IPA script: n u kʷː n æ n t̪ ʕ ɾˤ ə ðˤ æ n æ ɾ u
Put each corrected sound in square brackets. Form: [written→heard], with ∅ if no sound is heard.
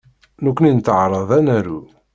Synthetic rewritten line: n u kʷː n [æ→i] n t̪ ʕ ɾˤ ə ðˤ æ n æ ɾ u